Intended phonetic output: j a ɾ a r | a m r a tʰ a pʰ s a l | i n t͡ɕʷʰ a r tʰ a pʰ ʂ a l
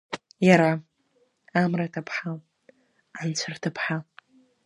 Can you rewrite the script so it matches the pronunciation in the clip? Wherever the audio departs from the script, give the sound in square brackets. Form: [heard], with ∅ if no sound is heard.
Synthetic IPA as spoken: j a ɾ a [∅] | a m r a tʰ a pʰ [ħ] a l | [a] n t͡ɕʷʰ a r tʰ a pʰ [ħ] a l